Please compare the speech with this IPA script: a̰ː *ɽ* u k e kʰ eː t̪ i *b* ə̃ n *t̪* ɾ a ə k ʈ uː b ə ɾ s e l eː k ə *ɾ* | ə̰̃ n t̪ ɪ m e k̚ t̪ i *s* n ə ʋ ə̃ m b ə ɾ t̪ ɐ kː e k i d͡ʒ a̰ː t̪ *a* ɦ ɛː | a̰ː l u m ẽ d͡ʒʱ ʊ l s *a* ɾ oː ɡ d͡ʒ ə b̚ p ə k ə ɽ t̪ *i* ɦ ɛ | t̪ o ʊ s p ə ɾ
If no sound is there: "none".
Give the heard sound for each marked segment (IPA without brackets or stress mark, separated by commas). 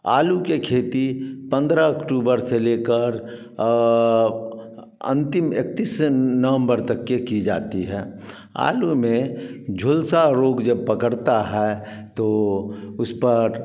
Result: l, p, d̪, ɾ, s, i, a, a